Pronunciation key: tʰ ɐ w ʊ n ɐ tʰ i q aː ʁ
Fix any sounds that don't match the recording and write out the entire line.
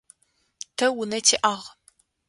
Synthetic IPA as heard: tʰ ɐ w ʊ n ɐ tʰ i ʔ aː ʁ